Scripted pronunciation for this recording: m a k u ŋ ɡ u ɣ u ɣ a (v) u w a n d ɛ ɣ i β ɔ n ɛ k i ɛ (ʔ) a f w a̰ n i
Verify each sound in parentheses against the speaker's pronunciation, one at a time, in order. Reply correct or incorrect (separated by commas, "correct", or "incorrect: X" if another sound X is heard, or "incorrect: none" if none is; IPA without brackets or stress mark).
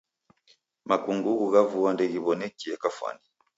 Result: correct, incorrect: k